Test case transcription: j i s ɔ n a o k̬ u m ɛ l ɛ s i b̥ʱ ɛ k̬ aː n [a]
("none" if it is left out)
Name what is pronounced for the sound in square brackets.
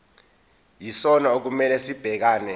ɛ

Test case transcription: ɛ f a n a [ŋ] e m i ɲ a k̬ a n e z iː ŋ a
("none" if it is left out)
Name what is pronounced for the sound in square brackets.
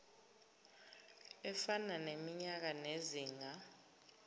n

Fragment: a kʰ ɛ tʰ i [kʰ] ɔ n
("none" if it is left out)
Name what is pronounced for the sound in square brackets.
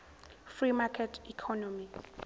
kʰ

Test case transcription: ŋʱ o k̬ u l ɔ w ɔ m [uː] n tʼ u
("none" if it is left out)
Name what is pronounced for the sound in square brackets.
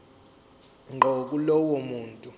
uː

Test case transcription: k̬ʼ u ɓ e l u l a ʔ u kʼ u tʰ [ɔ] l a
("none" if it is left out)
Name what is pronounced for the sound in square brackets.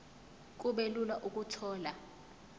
ɔː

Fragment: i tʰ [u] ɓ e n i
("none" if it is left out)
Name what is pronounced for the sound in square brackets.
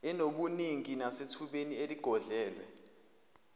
u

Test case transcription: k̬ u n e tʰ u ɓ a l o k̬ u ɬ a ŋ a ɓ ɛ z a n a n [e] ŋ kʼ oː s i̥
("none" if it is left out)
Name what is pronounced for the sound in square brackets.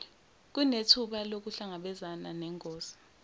ɛ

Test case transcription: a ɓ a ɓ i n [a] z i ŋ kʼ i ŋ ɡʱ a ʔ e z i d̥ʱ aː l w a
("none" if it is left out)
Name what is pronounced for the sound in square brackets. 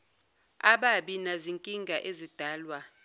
a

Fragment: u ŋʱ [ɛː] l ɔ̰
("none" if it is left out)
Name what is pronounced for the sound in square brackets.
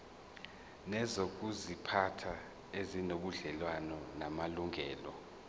ɛː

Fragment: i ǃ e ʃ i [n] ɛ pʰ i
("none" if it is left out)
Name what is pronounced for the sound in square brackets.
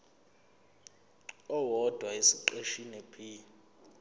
n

